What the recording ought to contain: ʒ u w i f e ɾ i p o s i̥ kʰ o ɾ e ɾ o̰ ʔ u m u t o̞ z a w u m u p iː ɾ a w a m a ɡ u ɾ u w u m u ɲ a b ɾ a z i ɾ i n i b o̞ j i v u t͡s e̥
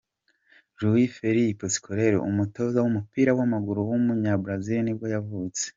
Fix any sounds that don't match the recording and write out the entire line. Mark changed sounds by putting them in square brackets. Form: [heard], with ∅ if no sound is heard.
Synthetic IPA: ʒ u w i f e ɾ i p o s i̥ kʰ o ɾ e ɾ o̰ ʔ u m u t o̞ z a w u m u p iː ɾ a w a m a ɡ u ɾ u w u m u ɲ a b ɾ a z i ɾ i n i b o̞ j [a] v u t͡s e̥